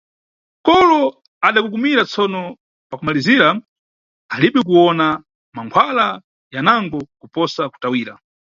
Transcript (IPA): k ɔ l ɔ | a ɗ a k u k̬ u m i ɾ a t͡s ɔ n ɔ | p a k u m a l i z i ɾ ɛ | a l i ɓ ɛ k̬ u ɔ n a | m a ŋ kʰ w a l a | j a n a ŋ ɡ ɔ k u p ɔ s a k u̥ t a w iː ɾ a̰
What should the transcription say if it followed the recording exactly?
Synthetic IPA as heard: k ɔ l ɔ | a ɗ a k u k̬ u m i ɾ a t͡s ɔ n ɔ | p a k u m a l i z i ɾ a | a l i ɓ ɛ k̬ u ɔ n a | m a ŋ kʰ w a l a | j a n a ŋ ɡ ɔ k u p ɔ s a k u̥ t a w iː ɾ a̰